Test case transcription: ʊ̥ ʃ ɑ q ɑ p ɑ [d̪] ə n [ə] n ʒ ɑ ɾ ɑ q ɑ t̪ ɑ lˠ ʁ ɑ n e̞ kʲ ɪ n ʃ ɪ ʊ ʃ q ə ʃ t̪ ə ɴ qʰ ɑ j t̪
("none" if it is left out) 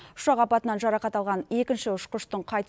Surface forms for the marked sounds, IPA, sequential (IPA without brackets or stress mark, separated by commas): t̪, ɑ